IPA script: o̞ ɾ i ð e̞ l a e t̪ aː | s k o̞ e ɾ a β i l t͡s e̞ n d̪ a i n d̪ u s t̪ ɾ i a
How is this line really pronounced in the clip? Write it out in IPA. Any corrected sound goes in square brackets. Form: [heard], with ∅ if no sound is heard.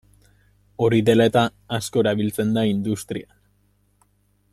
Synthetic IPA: o̞ ɾ i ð e̞ l a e t̪ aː | s k o̞ e ɾ a β i l t͡s e̞ n d̪ a i n d̪ u s t̪ ɾ i a